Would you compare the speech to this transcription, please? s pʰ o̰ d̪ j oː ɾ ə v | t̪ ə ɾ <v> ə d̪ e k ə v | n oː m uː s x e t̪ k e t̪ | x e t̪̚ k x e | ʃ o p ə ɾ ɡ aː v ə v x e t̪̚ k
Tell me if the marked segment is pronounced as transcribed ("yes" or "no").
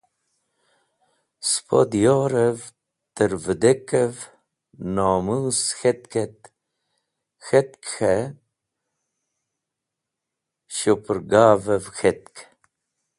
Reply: yes